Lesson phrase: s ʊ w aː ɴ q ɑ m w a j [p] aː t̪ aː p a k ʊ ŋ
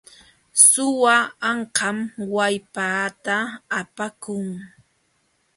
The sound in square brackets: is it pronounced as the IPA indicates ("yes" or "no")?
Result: yes